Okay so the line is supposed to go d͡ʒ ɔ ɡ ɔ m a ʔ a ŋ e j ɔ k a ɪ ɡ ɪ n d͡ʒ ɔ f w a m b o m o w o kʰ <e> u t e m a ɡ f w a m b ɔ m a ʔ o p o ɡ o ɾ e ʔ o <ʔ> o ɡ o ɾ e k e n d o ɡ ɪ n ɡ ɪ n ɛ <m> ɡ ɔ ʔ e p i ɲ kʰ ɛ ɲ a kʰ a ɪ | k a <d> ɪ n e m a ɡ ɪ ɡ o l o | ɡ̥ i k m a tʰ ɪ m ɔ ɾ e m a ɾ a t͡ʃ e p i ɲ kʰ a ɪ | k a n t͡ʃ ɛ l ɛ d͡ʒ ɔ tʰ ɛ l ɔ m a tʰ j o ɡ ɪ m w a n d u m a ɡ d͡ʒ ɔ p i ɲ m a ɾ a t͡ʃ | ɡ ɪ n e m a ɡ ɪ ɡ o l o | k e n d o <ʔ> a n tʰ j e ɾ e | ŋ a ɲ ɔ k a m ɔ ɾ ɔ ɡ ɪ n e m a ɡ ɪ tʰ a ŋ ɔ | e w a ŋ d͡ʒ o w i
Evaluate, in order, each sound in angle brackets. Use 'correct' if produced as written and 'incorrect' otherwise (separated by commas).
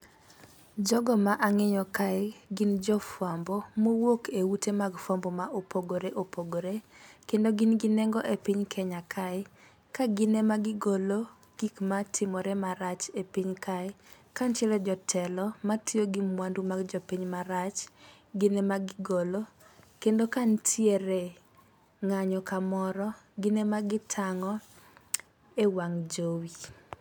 correct, incorrect, incorrect, incorrect, incorrect